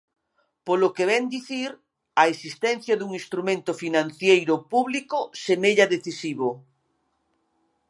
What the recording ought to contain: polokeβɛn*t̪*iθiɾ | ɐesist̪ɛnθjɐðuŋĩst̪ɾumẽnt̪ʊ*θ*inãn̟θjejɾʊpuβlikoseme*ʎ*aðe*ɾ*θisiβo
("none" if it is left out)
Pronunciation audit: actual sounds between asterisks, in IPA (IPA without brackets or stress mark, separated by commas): d̪, f, ʎ, none